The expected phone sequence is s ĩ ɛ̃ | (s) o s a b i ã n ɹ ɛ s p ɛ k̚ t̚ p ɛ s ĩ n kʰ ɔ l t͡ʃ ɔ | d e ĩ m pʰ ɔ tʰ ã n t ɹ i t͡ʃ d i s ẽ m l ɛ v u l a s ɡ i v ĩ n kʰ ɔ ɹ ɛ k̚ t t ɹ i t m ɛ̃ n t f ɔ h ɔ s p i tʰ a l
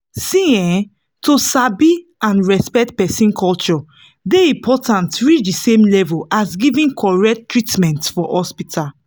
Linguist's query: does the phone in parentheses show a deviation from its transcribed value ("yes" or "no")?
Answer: yes